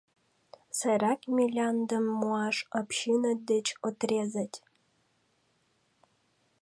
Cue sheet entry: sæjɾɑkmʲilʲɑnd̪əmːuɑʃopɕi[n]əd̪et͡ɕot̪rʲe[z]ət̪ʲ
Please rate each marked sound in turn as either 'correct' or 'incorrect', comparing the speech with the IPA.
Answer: correct, correct

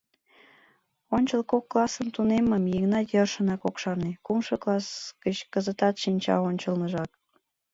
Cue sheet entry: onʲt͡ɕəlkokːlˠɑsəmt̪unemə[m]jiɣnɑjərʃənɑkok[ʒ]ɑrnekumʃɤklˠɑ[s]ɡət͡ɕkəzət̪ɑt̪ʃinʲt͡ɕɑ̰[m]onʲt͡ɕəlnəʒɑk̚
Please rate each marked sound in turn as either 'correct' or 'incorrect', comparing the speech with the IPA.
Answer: correct, incorrect: ʃ, correct, incorrect: none

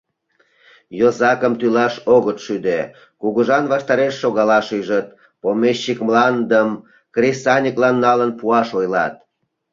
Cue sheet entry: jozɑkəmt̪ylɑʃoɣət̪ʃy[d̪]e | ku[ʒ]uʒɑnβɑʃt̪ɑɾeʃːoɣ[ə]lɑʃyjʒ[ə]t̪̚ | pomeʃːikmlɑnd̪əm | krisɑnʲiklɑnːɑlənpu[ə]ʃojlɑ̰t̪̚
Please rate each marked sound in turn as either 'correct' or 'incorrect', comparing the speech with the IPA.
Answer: correct, incorrect: ɣ, incorrect: ɑ, correct, incorrect: ɑ

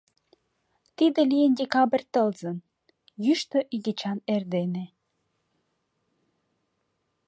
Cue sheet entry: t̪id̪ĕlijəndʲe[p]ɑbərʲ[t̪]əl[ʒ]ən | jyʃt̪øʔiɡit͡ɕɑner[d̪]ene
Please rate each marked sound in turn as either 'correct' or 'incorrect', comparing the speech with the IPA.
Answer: incorrect: k, correct, incorrect: z, correct

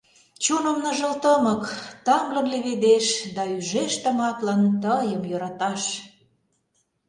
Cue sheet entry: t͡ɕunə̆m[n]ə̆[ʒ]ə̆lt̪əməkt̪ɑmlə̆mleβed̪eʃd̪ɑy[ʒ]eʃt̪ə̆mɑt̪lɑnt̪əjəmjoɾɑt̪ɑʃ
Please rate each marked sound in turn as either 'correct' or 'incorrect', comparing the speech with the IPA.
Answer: correct, correct, correct

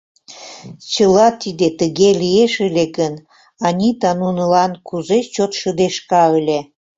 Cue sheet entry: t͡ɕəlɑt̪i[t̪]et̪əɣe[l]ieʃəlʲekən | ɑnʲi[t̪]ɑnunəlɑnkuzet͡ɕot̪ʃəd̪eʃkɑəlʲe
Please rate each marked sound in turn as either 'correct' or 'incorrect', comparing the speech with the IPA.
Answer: incorrect: d̪, correct, correct

